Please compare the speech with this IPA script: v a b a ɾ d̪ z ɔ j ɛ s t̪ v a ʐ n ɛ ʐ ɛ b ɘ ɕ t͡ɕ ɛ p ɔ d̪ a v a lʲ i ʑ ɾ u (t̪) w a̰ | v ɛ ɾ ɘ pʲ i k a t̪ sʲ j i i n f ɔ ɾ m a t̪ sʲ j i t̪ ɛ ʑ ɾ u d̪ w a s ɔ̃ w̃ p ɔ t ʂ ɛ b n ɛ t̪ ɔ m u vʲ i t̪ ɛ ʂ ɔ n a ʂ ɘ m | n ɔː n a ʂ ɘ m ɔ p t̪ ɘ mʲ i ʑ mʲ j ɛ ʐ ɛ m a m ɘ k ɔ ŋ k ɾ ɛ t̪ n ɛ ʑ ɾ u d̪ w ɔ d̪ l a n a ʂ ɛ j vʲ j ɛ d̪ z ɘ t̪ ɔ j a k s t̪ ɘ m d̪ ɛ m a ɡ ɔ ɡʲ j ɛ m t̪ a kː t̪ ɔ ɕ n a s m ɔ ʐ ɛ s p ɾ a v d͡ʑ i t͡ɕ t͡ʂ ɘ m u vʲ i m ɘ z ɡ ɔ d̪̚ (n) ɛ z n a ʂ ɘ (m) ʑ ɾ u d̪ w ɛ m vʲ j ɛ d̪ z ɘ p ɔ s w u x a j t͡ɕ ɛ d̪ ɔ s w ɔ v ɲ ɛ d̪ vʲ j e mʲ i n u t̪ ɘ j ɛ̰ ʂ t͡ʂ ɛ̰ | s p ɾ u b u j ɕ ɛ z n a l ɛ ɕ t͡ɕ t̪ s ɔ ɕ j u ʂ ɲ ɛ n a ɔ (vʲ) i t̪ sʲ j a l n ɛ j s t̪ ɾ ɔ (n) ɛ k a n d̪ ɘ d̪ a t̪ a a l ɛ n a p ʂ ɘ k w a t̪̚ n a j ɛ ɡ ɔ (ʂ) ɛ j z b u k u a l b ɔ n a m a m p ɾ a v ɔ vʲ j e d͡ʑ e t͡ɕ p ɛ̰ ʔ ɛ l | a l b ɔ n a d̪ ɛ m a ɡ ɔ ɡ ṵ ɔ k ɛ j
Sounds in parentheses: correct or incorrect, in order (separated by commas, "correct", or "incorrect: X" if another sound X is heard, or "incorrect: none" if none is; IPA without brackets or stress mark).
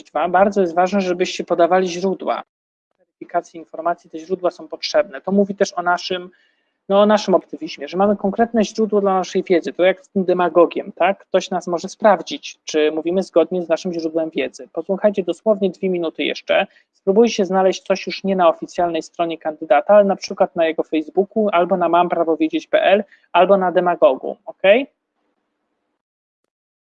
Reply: incorrect: d̪, incorrect: ɲ, correct, incorrect: fʲ, incorrect: ɲ, incorrect: f